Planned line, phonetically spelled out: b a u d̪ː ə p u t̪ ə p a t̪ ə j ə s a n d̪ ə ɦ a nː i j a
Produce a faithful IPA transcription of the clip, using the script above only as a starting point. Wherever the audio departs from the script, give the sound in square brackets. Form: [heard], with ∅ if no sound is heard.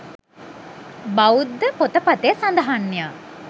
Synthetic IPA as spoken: b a u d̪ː ə p [o] t̪ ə p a t̪ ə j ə s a n d̪ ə ɦ a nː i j a